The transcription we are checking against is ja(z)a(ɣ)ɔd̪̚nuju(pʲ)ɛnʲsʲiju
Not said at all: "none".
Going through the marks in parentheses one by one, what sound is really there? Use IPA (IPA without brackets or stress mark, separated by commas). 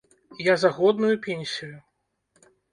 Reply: z, ɣ, pʲ